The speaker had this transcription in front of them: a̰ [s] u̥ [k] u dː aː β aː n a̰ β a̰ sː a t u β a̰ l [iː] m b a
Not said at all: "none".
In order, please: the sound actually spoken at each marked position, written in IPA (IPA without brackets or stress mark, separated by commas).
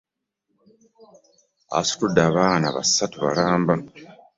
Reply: s, t, aː